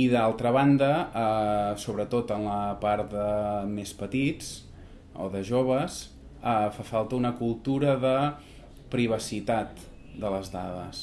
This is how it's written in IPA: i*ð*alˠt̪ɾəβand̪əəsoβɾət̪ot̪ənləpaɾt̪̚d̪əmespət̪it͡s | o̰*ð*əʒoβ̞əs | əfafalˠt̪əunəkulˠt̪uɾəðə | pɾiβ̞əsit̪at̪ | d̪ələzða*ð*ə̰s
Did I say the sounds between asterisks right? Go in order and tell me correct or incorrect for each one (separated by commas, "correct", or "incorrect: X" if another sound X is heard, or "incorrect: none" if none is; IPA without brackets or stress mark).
correct, correct, correct